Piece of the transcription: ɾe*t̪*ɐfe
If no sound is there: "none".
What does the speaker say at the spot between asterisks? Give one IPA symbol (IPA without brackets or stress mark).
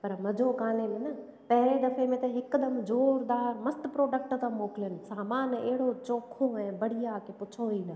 d̪